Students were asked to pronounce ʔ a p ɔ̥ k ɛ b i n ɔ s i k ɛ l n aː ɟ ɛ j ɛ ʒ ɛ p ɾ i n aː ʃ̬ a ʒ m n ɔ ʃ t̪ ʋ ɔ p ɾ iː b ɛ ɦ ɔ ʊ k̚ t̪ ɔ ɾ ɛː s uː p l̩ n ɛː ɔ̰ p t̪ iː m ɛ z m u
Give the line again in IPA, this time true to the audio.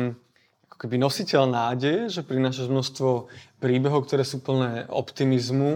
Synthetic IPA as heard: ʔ a k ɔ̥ k ɛ b i n ɔ s i c ɛ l n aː ɟ ɛ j ɛ ʒ ɛ p ɾ i n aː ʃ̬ a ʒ m n ɔ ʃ t̪ ʋ ɔ p ɾ iː b ɛ ɦ ɔ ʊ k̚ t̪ ɔ ɾ ɛː s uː p l̩ n ɛː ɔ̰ p t̪ i m i z m u